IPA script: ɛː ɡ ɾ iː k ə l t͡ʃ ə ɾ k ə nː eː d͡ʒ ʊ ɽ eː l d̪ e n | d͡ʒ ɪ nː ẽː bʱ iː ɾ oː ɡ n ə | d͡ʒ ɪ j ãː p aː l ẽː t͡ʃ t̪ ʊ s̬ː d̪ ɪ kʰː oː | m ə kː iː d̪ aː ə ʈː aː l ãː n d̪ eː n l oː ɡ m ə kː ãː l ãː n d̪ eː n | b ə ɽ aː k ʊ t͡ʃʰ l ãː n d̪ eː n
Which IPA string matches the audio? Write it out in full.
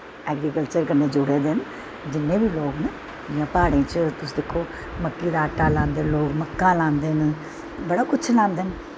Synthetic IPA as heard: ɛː ɡ ɾ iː k ə l t͡ʃ ə ɾ k ə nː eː d͡ʒ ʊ ɽ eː d̪ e n | d͡ʒ ɪ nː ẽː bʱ iː l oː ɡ n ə | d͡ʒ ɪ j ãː p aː ɽ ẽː t͡ʃ t̪ ʊ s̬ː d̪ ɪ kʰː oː | m ə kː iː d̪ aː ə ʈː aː l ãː n d̪ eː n l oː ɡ m ə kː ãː l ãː n d̪ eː n | b ə ɽ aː k ʊ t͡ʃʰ l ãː n d̪ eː n